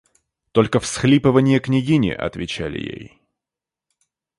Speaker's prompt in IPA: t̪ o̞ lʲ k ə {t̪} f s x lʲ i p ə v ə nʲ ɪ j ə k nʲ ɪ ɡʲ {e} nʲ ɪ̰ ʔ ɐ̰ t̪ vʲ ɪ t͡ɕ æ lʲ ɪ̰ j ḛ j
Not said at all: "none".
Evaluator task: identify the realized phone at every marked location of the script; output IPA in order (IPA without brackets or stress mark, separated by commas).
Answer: none, i